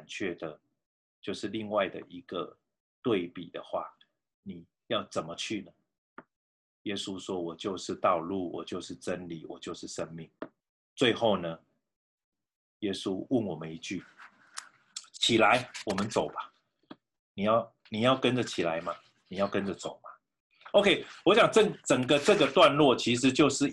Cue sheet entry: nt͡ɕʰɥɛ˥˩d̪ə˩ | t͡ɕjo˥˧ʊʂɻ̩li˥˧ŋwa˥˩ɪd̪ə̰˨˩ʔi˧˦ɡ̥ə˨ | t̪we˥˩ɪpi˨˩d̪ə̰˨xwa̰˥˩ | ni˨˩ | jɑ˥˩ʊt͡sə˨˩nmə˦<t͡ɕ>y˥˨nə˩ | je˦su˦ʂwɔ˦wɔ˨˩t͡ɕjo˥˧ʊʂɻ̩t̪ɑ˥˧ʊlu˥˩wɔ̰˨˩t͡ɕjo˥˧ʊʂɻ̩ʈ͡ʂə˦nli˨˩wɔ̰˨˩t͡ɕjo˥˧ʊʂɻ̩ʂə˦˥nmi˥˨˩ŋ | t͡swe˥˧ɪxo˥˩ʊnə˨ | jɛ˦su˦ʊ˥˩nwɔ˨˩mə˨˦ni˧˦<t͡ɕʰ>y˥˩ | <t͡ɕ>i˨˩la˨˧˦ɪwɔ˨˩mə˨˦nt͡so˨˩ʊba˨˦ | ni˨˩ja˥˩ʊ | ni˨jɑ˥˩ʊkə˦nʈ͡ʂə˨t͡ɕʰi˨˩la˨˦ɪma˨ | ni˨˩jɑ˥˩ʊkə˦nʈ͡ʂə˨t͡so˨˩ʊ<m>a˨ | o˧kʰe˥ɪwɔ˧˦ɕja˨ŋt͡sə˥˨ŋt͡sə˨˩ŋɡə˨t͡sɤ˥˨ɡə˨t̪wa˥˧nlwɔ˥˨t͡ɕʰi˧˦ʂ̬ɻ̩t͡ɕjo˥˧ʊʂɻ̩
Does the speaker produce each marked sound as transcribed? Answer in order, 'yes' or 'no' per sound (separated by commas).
no, no, no, yes